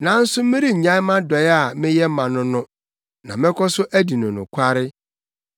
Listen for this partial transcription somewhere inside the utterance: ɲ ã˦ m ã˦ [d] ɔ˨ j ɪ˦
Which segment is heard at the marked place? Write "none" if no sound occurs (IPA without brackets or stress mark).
d